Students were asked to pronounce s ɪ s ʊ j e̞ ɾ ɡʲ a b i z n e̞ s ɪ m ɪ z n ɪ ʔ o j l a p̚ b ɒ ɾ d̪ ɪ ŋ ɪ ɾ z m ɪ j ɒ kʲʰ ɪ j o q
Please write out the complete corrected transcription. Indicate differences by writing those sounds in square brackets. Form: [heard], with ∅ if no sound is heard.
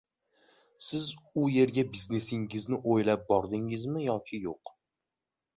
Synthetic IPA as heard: s ɪ [z] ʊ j e̞ ɾ ɡʲ a b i z n e̞ s ɪ [ŋ] ɪ z n ɪ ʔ o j l a p̚ b ɒ ɾ d̪ ɪ ŋ ɪ [∅] z m ɪ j ɒ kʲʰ ɪ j o q